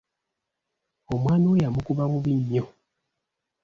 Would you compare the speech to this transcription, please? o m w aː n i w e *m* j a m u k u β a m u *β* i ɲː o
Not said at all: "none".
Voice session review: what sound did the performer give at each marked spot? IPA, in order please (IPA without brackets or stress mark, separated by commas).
none, β